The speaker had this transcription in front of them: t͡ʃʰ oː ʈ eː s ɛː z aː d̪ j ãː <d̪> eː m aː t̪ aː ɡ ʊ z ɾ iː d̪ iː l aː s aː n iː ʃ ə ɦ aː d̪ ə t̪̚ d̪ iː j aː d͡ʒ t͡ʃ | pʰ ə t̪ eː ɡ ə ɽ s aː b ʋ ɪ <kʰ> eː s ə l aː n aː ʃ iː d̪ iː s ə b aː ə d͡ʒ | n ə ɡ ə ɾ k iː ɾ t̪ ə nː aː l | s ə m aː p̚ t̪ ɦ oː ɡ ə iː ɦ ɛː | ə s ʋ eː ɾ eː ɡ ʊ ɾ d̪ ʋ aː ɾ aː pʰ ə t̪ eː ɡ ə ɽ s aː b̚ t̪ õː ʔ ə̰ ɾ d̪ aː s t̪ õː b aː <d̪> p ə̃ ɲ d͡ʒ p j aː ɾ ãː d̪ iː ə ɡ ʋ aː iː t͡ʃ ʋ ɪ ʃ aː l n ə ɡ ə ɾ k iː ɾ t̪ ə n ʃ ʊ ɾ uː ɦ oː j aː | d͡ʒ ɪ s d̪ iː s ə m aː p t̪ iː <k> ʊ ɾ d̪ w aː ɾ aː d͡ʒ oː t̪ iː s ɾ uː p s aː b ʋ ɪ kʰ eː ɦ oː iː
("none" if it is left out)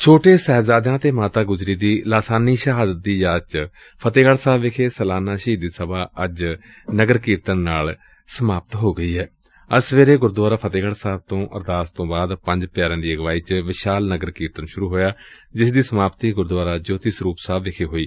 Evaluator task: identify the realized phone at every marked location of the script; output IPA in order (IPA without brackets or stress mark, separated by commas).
t̪, kʰ, d̪, ɡ